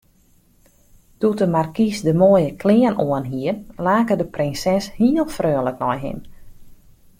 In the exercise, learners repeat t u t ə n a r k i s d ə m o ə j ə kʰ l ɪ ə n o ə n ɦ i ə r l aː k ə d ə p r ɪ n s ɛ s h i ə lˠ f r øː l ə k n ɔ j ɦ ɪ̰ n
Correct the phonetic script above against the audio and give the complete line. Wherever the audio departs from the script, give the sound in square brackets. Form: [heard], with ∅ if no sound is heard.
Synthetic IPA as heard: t u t ə [m] a r k i s d ə m o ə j ə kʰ l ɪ ə n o ə n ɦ i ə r l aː k ə d ə p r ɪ n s ɛ s h i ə lˠ f r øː l ə k n ɔ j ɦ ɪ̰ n